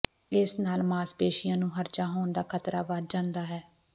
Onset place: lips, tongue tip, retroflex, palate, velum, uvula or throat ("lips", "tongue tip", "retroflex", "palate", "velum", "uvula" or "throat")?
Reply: tongue tip